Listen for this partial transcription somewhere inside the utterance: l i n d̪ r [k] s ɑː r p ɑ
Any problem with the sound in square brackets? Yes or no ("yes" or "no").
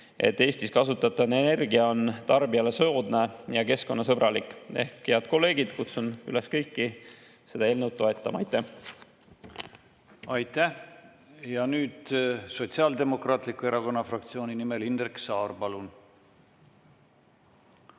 no